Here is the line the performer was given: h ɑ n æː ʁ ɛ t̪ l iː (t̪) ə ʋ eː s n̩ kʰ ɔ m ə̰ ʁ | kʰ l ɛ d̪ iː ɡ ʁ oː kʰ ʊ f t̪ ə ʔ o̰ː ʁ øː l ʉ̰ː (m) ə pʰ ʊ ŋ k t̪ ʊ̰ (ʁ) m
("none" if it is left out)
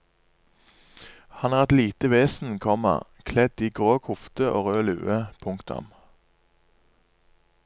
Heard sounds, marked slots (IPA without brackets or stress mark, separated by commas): t̪, none, none